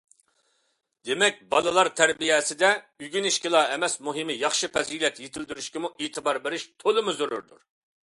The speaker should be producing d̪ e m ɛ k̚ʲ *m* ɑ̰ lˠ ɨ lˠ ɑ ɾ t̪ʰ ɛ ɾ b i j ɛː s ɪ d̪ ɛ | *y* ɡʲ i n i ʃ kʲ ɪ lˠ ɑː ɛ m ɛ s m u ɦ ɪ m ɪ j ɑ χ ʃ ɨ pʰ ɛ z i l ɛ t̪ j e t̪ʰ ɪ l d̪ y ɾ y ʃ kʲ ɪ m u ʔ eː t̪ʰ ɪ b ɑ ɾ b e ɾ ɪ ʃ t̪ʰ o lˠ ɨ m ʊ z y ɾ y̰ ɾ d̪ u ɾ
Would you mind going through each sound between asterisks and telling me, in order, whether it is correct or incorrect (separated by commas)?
incorrect, correct